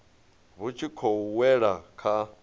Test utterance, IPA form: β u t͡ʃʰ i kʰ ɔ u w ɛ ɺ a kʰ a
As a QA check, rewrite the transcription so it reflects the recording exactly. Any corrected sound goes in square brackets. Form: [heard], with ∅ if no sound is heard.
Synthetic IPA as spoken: β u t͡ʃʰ i kʰ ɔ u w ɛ ɺ a kʰ a